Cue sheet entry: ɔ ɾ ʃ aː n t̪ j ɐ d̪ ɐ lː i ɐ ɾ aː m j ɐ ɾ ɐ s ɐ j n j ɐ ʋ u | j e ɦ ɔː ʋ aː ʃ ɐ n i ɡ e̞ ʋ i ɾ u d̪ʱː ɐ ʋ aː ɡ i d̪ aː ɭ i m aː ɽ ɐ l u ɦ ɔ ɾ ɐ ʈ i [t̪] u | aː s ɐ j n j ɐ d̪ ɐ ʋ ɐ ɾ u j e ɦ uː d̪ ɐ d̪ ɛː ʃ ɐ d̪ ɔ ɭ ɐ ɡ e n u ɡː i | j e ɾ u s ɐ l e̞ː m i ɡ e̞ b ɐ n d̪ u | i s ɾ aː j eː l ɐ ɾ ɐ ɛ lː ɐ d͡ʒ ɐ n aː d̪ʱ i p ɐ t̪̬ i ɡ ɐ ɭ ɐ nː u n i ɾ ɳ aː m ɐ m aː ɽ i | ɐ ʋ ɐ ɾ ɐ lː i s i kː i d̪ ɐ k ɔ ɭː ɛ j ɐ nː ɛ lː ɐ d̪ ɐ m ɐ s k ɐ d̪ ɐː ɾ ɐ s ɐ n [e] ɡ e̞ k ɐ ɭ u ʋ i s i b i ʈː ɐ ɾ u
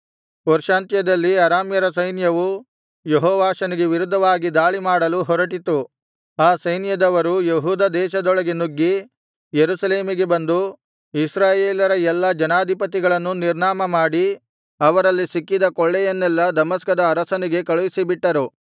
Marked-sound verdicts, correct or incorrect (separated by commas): correct, incorrect